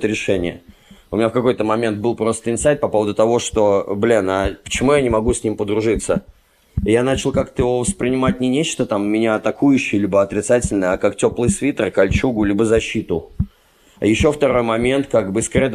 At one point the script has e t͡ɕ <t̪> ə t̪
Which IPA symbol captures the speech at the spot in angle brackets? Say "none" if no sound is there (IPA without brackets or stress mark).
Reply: t̪